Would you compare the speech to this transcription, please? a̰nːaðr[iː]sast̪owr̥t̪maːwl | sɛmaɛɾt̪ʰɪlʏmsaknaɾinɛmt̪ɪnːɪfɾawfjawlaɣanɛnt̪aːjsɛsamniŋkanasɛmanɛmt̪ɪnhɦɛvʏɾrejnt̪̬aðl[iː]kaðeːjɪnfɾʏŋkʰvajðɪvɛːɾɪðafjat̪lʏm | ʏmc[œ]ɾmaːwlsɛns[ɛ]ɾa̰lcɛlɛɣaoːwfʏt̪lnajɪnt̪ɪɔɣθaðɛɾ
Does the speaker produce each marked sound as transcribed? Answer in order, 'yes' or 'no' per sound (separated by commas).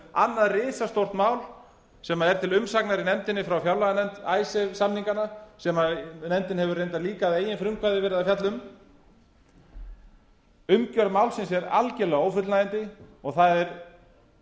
no, yes, yes, yes